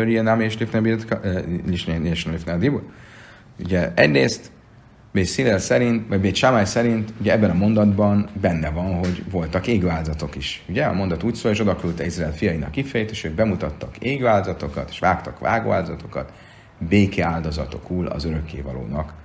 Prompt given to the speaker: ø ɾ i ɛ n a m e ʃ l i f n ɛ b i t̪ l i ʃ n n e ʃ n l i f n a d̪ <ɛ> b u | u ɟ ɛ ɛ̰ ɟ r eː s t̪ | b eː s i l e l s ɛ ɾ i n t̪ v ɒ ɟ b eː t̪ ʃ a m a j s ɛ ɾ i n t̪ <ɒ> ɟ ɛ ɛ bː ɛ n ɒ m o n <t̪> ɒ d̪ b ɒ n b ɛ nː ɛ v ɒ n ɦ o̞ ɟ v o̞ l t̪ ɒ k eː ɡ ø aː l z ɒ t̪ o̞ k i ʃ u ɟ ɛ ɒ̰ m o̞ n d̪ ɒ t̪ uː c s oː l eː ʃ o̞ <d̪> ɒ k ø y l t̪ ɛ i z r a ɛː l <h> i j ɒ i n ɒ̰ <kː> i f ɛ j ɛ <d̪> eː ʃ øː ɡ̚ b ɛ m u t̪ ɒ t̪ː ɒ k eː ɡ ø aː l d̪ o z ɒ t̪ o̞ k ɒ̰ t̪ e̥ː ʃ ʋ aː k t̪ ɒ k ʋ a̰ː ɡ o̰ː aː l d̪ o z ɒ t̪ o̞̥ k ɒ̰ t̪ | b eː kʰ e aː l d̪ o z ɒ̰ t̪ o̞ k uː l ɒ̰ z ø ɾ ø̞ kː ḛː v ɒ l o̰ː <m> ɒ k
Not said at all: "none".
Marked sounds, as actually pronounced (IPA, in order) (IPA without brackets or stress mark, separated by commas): i, u, d̪, d̪, f, kː, t̪, n